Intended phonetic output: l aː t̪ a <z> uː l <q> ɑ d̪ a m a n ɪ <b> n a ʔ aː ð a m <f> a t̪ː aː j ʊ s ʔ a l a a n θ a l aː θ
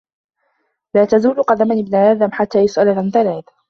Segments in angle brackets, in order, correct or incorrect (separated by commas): correct, correct, correct, incorrect